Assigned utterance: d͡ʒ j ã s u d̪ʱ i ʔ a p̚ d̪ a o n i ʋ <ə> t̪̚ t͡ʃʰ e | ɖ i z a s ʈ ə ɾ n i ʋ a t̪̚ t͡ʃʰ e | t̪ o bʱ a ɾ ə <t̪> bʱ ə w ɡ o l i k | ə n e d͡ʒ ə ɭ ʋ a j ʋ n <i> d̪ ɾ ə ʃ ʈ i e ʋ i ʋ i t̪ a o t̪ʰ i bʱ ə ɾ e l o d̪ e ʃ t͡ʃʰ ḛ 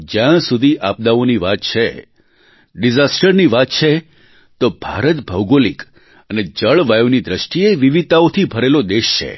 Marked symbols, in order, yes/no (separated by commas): no, yes, yes